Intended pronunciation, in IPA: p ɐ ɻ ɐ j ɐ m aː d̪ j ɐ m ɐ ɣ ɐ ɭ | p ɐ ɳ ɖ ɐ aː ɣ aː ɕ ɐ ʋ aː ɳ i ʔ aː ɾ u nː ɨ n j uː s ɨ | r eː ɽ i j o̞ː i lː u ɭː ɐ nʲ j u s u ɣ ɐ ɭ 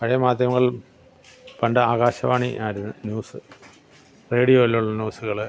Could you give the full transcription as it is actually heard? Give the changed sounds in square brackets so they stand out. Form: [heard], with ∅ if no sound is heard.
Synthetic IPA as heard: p ɐ ɻ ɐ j ɐ m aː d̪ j ɐ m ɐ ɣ ɐ ɭ | p ɐ ɳ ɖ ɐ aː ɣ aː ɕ ɐ ʋ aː ɳ i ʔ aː ɾ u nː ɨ n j uː s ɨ | r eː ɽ i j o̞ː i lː u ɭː ɐ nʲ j [uː] s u ɣ ɐ ɭ